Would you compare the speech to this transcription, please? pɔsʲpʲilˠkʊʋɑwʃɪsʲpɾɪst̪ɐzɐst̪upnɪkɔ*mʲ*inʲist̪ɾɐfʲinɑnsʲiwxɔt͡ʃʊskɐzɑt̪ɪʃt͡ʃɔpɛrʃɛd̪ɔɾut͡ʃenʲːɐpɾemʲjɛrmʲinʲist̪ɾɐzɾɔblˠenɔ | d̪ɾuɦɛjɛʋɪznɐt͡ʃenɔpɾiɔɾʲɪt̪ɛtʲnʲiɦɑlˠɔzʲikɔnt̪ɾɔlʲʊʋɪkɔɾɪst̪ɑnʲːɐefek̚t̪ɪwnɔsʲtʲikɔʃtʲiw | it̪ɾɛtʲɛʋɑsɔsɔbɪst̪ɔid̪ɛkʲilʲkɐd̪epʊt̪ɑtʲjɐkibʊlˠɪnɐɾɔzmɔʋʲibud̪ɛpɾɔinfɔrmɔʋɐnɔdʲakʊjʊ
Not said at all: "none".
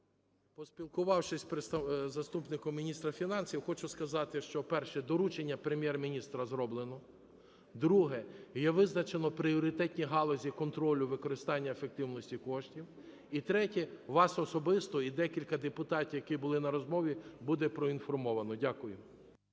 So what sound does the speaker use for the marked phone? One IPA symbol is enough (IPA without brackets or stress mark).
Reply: mʲ